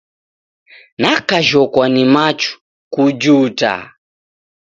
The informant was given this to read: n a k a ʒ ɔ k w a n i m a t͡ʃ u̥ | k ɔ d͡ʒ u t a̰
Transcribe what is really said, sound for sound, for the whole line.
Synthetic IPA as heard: n a k a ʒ ɔ k w a n i m a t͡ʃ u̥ | k u d͡ʒ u t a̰